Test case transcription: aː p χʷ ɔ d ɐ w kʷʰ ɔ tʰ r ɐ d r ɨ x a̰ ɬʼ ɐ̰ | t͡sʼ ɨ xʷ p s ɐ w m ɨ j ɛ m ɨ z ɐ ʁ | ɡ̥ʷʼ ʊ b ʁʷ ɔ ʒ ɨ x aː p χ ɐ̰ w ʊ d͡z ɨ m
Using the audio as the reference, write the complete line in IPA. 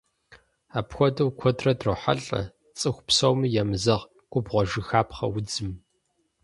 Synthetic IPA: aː p xʷ ɔ d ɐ w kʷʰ ɔ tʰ r ɐ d r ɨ ħ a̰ ɬʼ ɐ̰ | t͡sʼ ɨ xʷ p s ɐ w m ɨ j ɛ m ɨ z ɐ ʁ | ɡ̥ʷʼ ʊ b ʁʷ ɔ ʒ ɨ x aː p χ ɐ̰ w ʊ d͡z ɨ m